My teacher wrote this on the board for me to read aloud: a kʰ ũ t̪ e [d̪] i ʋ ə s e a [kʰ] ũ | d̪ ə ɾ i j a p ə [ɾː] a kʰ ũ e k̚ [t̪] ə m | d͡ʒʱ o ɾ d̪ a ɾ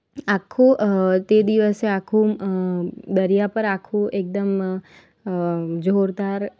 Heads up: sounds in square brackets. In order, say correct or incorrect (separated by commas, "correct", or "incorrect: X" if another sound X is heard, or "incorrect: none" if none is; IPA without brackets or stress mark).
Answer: correct, correct, incorrect: ɾ, incorrect: d̪